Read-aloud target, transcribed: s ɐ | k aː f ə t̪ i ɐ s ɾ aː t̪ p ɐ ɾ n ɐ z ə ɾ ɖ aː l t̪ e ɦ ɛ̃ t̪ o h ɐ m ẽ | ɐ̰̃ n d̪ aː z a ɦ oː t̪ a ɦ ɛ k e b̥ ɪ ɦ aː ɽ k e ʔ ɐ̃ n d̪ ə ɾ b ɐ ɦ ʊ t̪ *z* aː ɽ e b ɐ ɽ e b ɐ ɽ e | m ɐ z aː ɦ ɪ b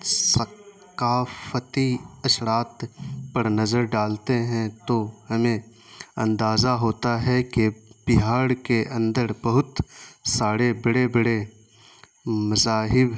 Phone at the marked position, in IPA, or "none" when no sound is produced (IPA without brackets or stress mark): s